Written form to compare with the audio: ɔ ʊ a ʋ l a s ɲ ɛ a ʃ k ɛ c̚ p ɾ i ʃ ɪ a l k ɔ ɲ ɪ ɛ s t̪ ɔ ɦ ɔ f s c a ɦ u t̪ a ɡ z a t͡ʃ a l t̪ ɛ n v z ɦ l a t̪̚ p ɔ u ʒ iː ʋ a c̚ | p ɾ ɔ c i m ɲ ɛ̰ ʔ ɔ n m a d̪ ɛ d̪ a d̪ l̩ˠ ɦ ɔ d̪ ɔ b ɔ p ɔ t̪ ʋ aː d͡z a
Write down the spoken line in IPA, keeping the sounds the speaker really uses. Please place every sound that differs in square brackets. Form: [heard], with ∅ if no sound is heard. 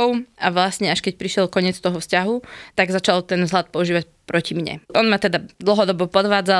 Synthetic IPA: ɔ ʊ a ʋ l a s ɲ ɛ a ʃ k ɛ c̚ p ɾ i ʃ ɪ [ɛ] l k ɔ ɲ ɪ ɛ [t͡s] t̪ ɔ ɦ ɔ f s c a ɦ u t̪ a ɡ z a t͡ʃ a l t̪ ɛ n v z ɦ l a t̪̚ p ɔ u ʒ iː ʋ a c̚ | p ɾ ɔ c i m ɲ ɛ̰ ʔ ɔ n m a [t̪] ɛ d̪ a d̪ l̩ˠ ɦ ɔ d̪ ɔ b ɔ p ɔ [d̪] ʋ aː d͡z a